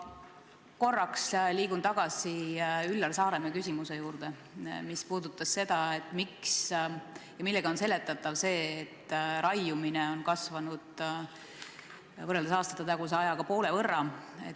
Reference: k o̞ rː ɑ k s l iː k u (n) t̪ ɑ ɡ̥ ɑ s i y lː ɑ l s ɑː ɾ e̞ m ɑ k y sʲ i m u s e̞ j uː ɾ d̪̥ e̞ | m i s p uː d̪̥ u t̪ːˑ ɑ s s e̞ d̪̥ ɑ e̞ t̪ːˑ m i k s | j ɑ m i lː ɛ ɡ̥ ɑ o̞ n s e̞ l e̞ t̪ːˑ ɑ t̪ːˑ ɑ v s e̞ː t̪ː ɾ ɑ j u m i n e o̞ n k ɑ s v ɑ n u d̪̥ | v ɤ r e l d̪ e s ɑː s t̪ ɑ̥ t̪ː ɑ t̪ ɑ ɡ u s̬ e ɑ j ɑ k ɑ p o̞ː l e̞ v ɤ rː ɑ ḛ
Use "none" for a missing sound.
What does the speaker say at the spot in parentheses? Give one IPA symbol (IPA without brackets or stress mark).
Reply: n